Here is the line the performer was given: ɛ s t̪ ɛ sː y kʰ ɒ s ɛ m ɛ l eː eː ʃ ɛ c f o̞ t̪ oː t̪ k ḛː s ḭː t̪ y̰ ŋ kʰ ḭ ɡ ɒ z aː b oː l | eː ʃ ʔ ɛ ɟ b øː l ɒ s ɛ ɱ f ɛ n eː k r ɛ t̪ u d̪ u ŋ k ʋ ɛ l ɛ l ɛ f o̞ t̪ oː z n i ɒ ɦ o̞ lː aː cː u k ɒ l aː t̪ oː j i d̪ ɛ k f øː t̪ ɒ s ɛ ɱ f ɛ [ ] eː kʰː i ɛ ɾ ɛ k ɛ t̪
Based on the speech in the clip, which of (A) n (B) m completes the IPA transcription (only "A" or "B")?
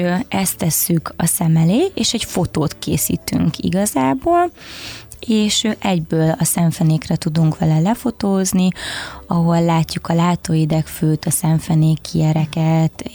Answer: A